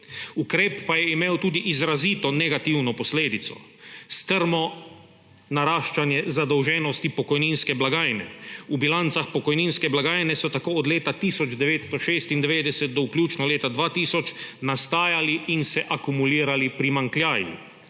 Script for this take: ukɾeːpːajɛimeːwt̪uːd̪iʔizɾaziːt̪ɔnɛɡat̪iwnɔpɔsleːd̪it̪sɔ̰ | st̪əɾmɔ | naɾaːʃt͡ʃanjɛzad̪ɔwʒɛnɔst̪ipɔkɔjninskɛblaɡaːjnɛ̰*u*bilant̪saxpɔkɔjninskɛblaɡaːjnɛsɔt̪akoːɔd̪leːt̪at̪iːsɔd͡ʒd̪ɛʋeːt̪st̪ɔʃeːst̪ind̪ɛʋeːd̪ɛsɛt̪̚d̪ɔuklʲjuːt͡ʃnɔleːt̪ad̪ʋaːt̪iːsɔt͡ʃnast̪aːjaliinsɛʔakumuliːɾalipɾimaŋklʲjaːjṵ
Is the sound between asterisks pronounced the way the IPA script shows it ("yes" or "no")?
yes